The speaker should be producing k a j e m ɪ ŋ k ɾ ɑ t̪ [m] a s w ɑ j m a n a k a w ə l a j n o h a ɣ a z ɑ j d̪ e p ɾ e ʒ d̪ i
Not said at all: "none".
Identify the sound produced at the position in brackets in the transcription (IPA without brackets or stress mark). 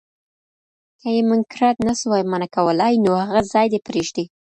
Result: n